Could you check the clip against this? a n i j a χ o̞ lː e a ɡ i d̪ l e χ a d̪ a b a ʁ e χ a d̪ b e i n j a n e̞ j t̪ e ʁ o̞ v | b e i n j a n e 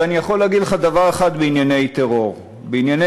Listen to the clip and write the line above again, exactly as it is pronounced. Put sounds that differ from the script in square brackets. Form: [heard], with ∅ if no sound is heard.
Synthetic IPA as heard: a n i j a χ o̞ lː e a ɡ i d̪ l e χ a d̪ a [v] a ʁ e χ a d̪ b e i n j a n e̞ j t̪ e ʁ o̞ [ʁ] | b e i n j a n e